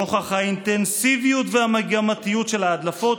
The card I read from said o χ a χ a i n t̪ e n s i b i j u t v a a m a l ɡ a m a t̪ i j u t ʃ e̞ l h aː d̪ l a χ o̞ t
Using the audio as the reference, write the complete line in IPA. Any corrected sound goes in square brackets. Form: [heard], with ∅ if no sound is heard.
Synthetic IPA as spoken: o χ a χ a i n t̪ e n s i [v] i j u t v [e] a m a [∅] ɡ a m a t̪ i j u t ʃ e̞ l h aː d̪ l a [f] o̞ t